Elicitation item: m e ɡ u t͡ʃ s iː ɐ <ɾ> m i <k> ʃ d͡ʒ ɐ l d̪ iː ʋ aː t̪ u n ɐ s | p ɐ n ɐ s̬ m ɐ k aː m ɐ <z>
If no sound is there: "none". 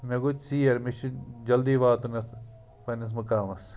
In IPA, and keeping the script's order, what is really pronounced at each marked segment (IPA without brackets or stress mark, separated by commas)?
ɾ, none, s